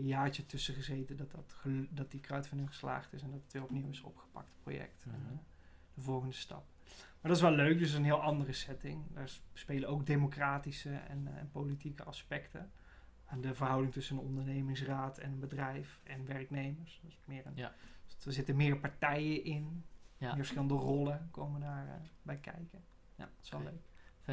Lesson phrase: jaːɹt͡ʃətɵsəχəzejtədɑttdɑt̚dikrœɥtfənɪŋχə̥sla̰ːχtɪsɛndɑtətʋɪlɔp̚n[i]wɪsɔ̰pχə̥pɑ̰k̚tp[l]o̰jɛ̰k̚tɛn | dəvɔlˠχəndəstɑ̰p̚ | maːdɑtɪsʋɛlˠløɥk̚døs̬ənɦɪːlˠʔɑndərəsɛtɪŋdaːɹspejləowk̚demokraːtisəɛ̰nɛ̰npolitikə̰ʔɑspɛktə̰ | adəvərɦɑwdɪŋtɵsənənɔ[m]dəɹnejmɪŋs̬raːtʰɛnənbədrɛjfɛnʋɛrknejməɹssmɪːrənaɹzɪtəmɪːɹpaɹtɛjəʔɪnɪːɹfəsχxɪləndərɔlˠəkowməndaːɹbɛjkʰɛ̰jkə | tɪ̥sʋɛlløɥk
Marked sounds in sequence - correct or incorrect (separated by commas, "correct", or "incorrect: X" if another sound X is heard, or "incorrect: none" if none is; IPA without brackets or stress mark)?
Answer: correct, incorrect: r, incorrect: n